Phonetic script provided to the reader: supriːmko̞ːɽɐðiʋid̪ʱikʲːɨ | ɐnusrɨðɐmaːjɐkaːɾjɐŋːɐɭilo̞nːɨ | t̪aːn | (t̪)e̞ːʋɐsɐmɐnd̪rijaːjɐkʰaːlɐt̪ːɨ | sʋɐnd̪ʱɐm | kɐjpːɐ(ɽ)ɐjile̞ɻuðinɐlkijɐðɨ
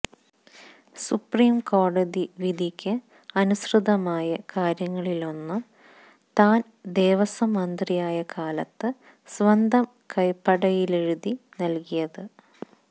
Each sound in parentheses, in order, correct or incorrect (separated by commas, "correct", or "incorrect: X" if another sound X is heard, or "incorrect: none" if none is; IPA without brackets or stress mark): incorrect: d̪, correct